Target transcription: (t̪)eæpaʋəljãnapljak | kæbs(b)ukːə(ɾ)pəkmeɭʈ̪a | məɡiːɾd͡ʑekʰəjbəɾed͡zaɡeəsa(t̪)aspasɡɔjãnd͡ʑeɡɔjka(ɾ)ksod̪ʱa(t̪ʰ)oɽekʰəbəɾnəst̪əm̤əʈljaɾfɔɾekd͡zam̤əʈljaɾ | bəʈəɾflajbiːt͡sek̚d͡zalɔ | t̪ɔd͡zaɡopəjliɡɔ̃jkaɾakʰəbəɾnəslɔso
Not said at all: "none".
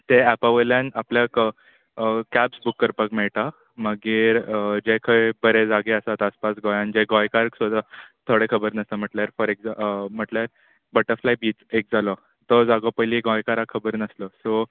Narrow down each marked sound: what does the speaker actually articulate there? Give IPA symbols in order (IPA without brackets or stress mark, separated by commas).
t̪, b, ɾ, t̪, ɾ, t̪ʰ